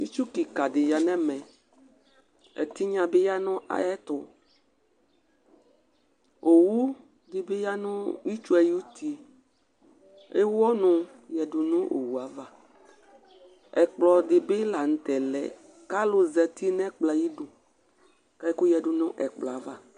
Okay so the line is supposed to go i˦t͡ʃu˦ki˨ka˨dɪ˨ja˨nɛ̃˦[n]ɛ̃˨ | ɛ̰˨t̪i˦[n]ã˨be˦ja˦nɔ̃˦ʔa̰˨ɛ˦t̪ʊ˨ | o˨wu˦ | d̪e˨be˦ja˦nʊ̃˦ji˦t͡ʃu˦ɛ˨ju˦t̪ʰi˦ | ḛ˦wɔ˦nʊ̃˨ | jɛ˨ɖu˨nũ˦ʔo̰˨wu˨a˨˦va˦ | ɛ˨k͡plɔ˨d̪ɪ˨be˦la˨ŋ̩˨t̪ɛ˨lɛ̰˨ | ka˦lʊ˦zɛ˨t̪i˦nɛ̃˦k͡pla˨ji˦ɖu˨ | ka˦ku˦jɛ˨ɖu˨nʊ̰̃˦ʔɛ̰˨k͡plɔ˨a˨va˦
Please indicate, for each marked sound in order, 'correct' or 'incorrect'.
incorrect, incorrect

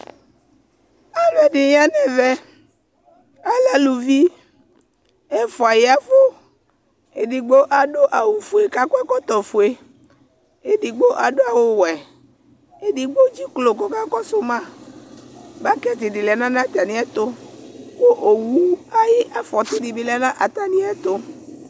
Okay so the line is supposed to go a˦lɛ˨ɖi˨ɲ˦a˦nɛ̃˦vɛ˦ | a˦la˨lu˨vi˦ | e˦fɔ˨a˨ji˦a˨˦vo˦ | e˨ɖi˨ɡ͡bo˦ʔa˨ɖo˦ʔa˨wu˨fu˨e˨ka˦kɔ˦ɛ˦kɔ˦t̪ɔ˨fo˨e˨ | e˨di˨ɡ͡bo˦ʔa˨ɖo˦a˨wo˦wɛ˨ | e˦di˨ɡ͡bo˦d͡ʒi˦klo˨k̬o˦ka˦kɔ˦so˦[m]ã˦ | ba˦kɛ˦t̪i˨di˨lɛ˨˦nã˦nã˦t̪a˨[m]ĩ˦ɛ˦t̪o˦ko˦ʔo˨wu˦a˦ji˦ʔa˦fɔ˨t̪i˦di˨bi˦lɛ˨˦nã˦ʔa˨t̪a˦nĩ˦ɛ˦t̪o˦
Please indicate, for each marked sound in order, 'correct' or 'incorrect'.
correct, incorrect

